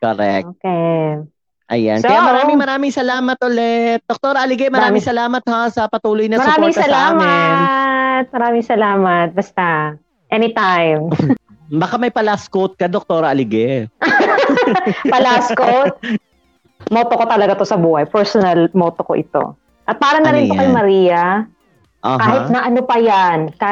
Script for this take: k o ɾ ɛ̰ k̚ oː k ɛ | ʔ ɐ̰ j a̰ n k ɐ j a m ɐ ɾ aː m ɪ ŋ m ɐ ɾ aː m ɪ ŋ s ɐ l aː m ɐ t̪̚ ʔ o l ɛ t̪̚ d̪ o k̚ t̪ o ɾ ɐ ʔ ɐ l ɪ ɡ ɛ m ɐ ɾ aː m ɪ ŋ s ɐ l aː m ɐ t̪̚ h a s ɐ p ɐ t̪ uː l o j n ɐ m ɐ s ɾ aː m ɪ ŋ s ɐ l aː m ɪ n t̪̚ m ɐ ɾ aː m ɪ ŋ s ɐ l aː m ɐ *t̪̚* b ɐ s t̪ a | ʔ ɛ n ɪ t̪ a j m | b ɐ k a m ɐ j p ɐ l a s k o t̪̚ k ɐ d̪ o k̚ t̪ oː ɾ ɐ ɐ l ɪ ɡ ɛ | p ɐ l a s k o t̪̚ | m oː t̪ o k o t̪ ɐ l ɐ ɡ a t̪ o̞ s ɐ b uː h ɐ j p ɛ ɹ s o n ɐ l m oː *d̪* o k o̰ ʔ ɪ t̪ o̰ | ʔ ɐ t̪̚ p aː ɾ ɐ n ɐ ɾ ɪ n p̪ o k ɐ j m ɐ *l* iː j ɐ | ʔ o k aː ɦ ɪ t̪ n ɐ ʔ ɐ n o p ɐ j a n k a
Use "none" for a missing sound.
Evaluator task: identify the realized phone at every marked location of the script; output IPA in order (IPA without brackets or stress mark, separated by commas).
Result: t̪̚, t̪, ɾ